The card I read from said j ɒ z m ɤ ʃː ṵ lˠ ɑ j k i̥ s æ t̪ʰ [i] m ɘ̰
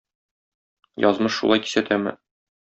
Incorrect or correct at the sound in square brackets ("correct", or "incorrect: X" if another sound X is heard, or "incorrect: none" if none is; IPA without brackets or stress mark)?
incorrect: æ